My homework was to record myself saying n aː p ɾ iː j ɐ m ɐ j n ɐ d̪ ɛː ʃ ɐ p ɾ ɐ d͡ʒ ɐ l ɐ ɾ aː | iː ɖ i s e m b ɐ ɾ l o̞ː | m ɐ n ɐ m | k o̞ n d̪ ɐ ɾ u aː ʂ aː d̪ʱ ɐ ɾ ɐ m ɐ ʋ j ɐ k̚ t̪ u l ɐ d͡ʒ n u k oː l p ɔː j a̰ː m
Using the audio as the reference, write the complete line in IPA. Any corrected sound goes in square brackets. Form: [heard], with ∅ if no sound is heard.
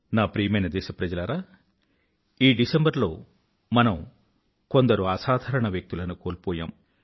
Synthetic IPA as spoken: n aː p ɾ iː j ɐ m ɐ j n ɐ d̪ ɛː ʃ ɐ p ɾ ɐ d͡ʒ ɐ l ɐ ɾ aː | iː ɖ i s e m b ɐ ɾ l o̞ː | m ɐ n ɐ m | k o̞ n d̪ ɐ ɾ u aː [s] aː d̪ʱ ɐ ɾ ɐ [ɳ] ɐ ʋ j ɐ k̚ t̪ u l ɐ [∅] n u k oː l p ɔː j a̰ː m